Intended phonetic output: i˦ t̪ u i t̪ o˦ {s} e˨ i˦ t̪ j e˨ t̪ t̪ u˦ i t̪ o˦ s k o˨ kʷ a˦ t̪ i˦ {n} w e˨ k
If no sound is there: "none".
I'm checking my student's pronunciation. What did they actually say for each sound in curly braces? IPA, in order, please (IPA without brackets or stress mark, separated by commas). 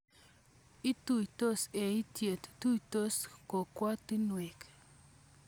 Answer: s, n